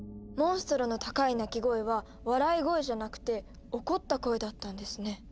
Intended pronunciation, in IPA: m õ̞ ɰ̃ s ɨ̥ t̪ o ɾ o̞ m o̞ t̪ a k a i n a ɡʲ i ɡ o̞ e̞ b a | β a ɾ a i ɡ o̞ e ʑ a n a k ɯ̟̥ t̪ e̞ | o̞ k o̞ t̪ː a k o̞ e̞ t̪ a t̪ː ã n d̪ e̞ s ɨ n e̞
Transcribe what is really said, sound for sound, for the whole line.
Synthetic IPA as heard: m õ̞ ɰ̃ s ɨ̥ t̪ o ɾ o̞ n o̞ t̪ a k a i n a kʲ i ɡ o̞ e̞ β a | β a ɾ a i ɡ o̞ e ʑ a n a k ɯ̟̥ t̪ e̞ | o̞ k o̞ t̪ː a k o̞ e̞ d̪ a t̪ː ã n d̪ e̞ s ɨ n e̞